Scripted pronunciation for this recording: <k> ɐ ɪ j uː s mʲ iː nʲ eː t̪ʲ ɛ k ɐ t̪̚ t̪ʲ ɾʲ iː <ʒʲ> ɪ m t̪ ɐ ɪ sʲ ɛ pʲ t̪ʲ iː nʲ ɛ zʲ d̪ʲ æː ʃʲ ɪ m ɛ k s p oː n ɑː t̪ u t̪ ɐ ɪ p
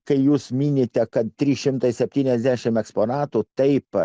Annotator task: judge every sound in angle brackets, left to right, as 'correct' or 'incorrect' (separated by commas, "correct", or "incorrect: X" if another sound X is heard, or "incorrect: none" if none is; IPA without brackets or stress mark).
correct, incorrect: ʃʲ